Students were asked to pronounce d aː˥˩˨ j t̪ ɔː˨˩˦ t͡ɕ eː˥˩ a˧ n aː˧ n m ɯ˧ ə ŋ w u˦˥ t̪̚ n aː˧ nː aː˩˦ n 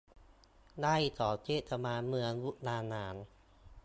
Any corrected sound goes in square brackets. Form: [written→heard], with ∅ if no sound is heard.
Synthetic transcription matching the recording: d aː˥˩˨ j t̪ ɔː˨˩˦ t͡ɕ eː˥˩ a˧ [n→m] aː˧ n m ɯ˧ ə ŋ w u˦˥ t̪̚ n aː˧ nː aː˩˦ n